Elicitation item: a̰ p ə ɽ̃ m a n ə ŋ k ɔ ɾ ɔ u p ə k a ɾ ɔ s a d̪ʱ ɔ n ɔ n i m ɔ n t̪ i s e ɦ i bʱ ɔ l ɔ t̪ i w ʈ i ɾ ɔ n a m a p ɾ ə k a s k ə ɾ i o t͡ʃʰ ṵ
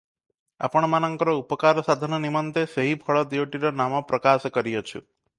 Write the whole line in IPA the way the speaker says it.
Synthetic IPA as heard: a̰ p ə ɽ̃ m a n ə ŋ k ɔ ɾ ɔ u p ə k a ɾ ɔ s a d̪ʱ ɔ n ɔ n i m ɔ n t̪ e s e ɦ i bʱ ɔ ɭ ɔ d̪ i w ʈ i ɾ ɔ n a m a p ɾ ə k a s k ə ɾ i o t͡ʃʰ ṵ